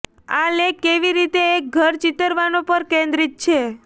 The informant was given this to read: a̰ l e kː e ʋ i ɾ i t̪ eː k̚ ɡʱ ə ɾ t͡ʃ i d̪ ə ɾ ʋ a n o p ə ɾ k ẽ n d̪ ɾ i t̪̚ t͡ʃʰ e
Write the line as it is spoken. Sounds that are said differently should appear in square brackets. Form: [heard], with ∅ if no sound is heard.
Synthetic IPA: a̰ l e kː e ʋ i ɾ i t̪ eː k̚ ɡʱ ə ɾ t͡ʃ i [t̪] ə ɾ ʋ a n o p ə ɾ k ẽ n d̪ ɾ i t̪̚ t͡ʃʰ e